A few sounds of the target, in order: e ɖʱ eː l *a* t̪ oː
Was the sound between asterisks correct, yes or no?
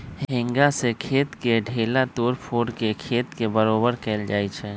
yes